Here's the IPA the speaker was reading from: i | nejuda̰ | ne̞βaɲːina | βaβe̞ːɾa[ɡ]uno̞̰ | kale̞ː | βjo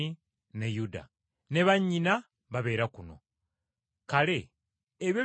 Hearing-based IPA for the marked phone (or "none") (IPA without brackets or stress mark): k